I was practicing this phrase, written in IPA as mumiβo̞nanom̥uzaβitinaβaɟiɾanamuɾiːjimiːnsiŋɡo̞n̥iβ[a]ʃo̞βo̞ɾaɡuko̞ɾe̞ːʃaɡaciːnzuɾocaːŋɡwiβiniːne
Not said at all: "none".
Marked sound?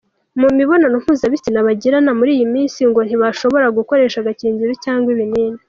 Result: a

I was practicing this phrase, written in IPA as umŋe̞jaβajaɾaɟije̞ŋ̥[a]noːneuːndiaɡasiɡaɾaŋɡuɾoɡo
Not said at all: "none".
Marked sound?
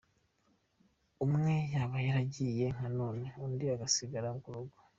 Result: a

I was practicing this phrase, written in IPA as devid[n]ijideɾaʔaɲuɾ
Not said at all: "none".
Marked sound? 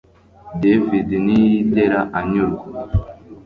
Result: n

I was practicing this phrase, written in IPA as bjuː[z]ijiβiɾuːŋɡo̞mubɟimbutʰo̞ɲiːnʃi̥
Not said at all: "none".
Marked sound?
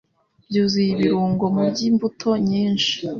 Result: z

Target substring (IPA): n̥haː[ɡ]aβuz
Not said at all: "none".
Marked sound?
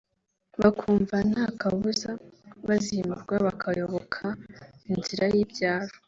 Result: k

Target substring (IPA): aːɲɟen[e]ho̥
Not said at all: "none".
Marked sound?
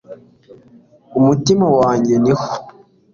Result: i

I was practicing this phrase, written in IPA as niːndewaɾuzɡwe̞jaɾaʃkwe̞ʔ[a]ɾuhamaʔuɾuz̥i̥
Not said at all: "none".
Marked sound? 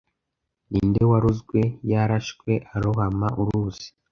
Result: a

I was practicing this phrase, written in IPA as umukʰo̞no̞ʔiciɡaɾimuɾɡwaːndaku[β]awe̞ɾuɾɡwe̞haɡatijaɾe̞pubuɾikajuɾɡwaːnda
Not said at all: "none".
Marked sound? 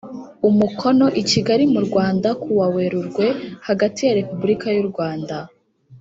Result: w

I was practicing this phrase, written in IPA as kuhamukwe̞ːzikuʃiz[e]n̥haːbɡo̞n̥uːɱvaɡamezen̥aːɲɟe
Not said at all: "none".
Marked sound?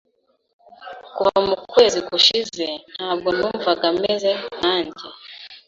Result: e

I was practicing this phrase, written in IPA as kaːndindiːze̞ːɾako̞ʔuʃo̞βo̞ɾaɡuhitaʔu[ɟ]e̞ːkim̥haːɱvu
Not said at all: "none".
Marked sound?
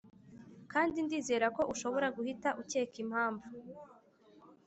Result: c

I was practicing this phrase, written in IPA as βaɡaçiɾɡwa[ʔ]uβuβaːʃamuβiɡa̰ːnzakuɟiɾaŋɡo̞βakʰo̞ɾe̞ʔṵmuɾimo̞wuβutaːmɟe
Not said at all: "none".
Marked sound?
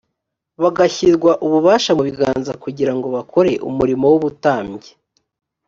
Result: ʔ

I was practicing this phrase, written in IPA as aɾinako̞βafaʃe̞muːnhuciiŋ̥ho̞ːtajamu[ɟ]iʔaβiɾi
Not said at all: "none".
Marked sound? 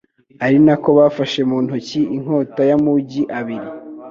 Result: ɟ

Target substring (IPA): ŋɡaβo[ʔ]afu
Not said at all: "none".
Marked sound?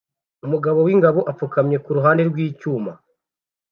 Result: ʔ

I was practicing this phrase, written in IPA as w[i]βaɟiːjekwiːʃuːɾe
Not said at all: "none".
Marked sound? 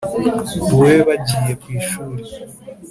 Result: e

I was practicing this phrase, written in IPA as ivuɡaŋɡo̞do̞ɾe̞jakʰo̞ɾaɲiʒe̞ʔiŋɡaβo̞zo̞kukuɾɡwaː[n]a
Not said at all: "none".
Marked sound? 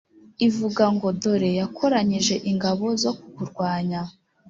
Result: ɲ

